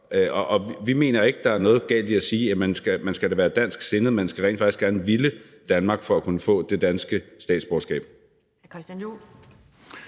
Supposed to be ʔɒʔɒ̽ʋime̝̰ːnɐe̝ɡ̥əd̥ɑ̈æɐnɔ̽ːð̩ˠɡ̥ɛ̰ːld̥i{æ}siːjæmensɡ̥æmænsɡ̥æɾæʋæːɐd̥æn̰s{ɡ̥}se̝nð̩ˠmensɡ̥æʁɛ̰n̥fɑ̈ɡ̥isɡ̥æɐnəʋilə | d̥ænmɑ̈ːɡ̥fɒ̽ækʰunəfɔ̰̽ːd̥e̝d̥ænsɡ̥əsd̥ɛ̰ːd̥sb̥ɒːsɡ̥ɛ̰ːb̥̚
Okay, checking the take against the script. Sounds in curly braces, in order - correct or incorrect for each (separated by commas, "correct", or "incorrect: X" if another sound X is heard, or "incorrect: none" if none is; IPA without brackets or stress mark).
correct, correct